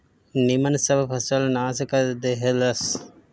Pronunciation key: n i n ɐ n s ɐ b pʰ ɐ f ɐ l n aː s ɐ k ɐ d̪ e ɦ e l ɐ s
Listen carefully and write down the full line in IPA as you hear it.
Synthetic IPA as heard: n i m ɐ n s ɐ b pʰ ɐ s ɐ l n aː s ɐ k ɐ d̪ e ɦ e l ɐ s